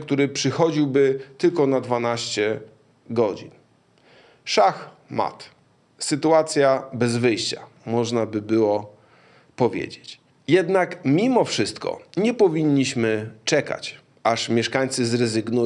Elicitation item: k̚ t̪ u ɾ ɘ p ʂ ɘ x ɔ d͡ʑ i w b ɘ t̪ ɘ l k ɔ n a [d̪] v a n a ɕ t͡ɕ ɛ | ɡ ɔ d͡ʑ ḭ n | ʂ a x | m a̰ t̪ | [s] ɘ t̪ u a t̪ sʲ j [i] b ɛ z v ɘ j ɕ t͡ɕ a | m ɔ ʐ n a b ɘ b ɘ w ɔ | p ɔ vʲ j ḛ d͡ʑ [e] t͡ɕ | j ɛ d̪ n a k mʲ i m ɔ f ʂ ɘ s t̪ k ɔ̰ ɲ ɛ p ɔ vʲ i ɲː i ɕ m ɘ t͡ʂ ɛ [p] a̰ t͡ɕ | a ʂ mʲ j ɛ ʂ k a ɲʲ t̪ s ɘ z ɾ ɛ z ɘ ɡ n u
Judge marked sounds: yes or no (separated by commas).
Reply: yes, yes, no, yes, no